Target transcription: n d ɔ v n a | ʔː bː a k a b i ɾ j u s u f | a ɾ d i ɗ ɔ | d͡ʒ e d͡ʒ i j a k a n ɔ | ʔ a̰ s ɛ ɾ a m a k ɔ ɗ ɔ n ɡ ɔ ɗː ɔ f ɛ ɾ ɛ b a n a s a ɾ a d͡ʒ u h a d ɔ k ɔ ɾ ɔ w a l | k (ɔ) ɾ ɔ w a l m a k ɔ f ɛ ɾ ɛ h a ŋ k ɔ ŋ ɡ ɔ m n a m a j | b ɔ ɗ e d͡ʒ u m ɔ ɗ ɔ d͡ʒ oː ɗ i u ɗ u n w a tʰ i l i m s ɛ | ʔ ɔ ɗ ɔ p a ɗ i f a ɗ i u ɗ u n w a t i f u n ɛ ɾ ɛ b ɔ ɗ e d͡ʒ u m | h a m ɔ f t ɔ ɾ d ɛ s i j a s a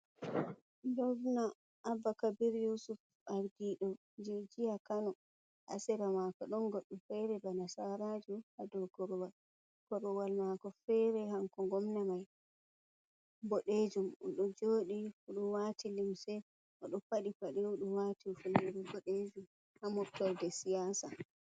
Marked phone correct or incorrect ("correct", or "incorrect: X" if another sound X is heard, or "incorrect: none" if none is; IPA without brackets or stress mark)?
correct